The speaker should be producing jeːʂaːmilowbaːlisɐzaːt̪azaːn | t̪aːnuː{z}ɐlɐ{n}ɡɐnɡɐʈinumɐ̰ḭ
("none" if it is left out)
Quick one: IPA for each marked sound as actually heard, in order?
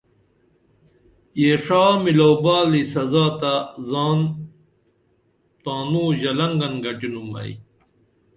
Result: ʑ, ŋ

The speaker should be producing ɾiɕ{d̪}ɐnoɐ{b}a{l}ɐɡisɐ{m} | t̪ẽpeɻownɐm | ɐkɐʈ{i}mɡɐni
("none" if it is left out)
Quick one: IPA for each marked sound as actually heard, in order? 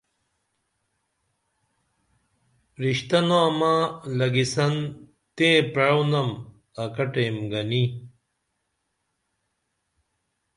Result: t̪, m, l, n, e

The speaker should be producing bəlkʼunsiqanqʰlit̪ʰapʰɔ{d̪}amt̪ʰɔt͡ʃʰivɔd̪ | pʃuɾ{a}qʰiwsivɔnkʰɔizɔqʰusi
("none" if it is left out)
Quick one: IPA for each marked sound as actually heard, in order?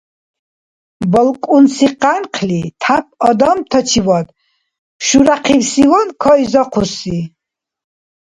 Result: d̪, a

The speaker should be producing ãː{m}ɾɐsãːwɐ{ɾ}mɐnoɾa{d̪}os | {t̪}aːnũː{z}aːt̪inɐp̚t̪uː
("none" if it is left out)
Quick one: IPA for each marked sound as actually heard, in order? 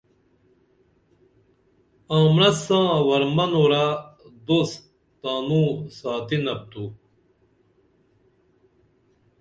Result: m, ɾ, d̪, t̪, s

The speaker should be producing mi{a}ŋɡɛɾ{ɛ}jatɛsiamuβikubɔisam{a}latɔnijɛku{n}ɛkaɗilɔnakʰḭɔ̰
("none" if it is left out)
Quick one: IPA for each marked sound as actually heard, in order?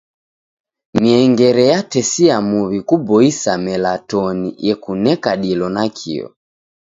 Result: ɛ, ɛ, ɛ, n

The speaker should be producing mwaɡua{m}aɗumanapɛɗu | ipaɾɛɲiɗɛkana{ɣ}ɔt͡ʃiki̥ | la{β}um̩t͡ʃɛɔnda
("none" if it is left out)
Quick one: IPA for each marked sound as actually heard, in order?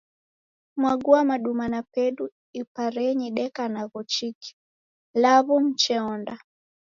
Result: m, ɣ, β

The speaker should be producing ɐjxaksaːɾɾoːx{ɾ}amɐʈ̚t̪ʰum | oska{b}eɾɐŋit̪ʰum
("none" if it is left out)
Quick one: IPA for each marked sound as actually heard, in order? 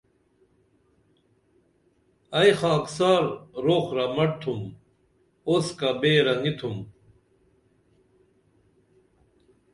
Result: ɾ, b

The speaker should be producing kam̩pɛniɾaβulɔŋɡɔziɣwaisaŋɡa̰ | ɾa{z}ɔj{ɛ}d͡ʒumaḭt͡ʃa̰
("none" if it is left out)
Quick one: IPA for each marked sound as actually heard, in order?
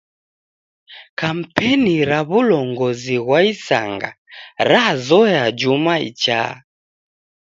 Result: z, a

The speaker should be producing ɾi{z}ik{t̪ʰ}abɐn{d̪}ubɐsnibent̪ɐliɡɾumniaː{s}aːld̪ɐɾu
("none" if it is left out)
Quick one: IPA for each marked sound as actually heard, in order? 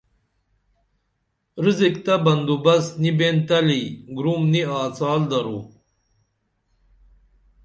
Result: z, t̪, d̪, t͡s

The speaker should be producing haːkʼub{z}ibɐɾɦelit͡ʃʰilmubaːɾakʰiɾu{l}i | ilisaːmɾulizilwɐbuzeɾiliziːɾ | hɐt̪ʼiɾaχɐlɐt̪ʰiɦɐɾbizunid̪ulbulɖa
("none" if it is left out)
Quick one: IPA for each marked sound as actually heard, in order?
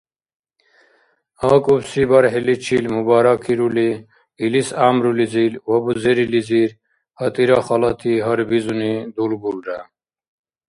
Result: s, l

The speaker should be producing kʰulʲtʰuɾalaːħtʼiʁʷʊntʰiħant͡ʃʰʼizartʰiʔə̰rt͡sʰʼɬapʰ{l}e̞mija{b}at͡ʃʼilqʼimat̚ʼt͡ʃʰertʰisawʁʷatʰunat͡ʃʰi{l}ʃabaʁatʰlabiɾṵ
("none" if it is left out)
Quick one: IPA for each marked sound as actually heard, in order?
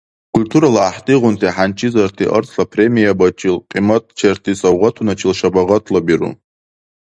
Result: r, b, l

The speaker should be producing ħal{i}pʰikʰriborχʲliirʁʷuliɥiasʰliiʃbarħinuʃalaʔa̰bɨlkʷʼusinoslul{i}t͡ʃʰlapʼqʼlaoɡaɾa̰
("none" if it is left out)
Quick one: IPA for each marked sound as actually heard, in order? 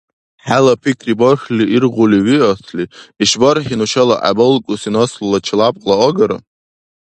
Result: a, a

